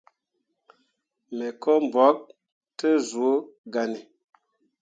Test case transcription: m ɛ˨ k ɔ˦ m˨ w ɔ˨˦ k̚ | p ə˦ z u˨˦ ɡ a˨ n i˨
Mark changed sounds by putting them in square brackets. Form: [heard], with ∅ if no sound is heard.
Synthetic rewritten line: m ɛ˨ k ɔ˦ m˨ [b] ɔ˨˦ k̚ | [t] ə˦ z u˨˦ ɡ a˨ n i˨